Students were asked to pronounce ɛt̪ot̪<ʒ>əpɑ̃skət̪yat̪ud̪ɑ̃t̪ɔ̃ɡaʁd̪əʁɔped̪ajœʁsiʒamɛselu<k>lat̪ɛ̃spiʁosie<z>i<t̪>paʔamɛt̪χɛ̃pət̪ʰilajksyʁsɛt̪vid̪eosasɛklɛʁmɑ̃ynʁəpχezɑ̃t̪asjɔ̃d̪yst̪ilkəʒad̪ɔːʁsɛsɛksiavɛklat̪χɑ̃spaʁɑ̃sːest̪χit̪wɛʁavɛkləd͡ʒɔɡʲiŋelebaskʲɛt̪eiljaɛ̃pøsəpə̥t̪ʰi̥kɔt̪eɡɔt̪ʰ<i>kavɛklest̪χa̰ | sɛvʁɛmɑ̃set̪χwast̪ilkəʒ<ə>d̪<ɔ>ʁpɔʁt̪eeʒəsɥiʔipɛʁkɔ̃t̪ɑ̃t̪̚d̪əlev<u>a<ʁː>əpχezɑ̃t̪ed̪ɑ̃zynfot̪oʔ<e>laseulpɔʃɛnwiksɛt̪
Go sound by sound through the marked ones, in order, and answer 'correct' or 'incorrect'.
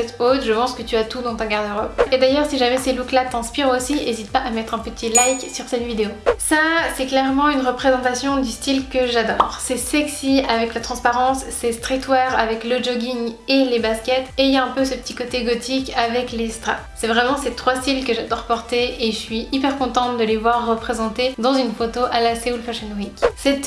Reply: correct, correct, correct, correct, correct, incorrect: a, correct, incorrect: w, correct, incorrect: a

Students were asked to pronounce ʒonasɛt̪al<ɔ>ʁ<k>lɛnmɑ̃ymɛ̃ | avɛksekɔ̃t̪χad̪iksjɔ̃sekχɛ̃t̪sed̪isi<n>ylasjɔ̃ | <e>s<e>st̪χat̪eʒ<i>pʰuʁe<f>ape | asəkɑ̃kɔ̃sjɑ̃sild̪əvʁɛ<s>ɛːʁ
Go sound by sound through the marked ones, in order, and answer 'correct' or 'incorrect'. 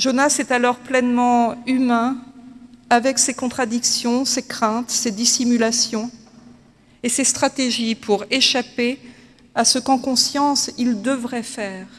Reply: correct, incorrect: p, incorrect: m, correct, correct, correct, incorrect: ʃ, incorrect: f

